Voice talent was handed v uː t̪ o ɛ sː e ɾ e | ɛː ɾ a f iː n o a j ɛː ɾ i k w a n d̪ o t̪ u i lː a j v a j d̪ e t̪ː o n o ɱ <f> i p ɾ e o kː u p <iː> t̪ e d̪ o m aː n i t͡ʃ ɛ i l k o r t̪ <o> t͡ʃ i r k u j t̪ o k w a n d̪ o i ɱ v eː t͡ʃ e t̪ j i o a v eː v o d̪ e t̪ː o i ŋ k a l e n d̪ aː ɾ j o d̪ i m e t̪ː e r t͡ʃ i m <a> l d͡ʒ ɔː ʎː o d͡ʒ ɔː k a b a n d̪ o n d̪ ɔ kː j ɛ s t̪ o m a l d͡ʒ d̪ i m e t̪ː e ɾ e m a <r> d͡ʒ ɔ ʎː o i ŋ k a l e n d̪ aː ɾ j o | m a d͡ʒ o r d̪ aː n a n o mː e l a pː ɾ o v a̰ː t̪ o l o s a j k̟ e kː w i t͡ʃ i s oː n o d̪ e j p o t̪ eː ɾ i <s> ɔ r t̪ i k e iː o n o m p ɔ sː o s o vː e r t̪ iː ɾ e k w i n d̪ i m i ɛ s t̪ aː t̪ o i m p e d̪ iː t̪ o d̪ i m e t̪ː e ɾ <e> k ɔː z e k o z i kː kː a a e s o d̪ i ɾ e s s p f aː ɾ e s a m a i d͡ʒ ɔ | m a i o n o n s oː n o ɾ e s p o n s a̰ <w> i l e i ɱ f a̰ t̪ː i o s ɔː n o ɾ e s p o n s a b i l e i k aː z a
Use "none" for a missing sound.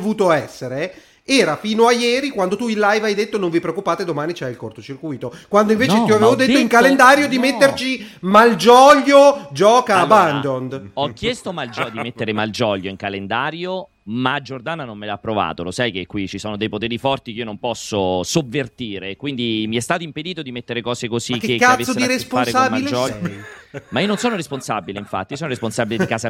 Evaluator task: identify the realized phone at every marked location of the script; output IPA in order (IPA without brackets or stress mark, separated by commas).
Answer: v, aː, o, a, l, f, e, b